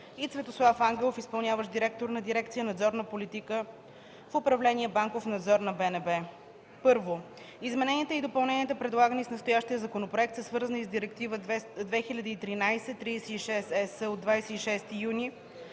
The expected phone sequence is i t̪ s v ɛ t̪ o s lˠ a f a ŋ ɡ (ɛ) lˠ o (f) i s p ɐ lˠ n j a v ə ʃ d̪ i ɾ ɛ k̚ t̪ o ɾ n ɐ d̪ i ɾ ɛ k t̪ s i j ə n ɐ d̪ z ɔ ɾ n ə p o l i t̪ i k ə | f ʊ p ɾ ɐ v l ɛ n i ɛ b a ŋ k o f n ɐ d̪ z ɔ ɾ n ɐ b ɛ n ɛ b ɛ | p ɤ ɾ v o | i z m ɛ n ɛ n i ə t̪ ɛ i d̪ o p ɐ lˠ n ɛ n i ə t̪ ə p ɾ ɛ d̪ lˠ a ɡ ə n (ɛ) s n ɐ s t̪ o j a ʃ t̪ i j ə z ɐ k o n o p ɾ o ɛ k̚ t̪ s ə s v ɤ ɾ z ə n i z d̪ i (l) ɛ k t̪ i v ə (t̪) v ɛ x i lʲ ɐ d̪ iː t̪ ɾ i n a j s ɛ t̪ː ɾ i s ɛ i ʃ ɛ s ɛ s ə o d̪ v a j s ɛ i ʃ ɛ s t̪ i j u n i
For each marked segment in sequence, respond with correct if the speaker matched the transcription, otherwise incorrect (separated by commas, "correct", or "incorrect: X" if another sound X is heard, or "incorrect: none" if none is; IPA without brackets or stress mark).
correct, correct, incorrect: i, incorrect: ɾ, incorrect: d̪